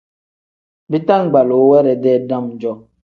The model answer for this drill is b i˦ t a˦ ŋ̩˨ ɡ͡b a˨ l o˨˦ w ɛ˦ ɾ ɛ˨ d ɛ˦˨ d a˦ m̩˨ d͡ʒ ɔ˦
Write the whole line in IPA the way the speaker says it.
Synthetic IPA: b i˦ t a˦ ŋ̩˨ ɡ͡b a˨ l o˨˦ w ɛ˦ ɾ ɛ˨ d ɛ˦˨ d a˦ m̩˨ d͡ʒ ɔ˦